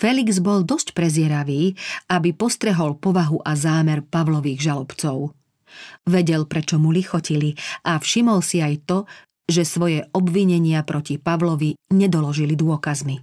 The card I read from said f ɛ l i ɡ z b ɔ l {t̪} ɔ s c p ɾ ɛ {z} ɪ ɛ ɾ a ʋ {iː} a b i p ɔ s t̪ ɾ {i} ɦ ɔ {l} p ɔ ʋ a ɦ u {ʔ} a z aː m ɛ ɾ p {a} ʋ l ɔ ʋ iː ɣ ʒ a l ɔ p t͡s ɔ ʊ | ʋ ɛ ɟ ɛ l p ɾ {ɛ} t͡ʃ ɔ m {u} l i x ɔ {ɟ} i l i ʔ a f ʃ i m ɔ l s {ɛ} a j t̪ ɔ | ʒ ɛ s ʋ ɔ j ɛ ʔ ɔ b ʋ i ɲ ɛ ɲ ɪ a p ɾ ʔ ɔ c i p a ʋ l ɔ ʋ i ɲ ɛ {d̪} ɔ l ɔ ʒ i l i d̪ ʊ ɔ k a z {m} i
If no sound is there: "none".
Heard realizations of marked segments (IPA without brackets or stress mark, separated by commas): d̪, z, iː, ɛ, l, ʔ, a, ɛ, u, c, i, d̪, m